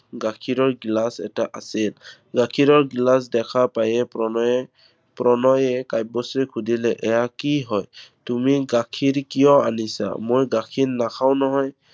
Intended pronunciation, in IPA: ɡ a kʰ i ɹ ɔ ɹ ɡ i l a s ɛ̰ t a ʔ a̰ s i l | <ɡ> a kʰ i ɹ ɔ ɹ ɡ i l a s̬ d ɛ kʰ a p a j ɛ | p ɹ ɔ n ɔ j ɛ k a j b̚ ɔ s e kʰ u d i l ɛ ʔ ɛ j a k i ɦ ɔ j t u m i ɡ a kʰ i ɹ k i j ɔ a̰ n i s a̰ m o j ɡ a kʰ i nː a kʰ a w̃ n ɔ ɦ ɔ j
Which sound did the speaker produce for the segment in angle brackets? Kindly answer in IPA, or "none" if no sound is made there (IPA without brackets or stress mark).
ɡ